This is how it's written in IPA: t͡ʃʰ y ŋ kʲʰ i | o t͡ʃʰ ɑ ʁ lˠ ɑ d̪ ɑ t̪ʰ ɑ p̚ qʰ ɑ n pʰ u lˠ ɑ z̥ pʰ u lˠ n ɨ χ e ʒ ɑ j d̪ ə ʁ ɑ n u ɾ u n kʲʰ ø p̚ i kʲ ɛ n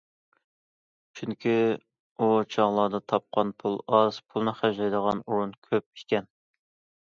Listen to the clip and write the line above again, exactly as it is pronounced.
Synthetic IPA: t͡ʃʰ y ŋ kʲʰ i | u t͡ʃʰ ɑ ʁ lˠ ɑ d̪ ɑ t̪ʰ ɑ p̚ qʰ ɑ n pʰ u lˠ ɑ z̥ pʰ u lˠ n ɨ χ æ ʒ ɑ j d̪ ə ʁ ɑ n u ɾ u n kʲʰ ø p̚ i kʲ ɛ n